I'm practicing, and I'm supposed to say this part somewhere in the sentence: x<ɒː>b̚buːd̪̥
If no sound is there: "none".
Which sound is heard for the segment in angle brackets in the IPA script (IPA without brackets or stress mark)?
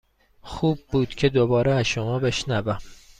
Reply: uː